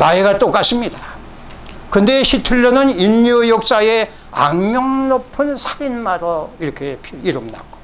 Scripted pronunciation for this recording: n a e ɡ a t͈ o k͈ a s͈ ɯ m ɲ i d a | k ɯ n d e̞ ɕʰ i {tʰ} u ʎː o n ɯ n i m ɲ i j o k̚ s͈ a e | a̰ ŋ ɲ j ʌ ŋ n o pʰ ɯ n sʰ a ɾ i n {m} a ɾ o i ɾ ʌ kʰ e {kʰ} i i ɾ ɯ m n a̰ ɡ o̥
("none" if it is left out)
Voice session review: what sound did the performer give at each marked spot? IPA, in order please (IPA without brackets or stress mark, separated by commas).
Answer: tʰ, m, pʰ